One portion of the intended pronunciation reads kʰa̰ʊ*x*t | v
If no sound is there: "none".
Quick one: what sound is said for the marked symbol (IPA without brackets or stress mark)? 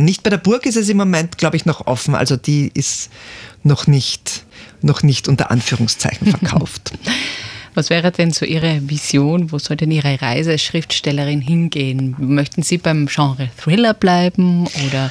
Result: f